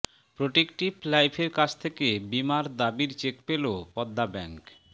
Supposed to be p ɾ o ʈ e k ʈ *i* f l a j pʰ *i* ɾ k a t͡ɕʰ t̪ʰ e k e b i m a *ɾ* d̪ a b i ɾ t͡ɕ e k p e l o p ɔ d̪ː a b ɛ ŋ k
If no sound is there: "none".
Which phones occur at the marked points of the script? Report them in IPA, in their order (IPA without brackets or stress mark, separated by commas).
i, e, ɾ